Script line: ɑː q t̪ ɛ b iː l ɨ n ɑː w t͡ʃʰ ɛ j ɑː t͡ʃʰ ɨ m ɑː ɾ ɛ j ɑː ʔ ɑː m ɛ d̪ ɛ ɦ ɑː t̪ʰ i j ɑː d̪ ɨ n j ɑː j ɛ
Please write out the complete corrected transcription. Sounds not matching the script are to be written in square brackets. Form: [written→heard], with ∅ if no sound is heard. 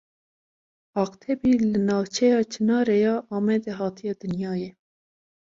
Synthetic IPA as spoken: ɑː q [t̪→t̪ʰ] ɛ b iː l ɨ n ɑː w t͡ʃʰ ɛ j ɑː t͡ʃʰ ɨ [m→n] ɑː ɾ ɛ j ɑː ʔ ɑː m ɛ d̪ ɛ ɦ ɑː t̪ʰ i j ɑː d̪ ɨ n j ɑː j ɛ